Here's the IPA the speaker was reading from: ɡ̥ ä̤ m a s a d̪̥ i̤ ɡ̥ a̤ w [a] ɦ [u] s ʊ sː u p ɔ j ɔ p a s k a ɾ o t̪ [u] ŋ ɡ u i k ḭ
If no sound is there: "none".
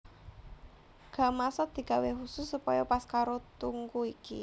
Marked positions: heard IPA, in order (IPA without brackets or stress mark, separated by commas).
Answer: e, u, u